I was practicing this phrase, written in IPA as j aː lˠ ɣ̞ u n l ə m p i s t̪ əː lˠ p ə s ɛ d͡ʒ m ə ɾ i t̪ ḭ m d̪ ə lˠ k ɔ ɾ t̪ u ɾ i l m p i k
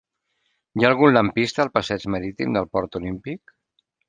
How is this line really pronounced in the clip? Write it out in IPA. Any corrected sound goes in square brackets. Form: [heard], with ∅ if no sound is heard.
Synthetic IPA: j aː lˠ ɣ̞ u n l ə m p i s t̪ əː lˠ p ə s ɛ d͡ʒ m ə ɾ i t̪ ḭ m d̪ ə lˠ [p] ɔ ɾ t̪ u [l] i [∅] m p i k